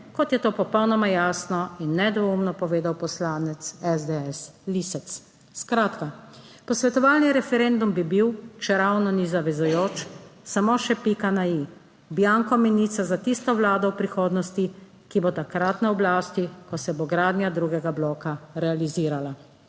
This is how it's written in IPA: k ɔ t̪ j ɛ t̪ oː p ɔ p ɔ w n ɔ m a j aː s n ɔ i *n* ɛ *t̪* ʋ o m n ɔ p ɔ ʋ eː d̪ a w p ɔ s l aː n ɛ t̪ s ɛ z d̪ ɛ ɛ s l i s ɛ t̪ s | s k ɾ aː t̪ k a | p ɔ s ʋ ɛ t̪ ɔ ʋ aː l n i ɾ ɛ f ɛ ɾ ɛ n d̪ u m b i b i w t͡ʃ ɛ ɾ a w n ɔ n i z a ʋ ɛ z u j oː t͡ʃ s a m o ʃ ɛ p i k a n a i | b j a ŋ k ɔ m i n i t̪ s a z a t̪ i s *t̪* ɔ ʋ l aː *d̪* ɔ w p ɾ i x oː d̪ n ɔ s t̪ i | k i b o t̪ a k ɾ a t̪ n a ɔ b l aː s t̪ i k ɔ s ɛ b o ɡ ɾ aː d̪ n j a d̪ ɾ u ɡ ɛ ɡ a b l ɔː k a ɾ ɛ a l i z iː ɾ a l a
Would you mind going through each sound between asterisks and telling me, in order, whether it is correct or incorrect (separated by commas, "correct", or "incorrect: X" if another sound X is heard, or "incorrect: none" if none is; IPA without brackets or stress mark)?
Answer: incorrect: nː, incorrect: d̪, correct, correct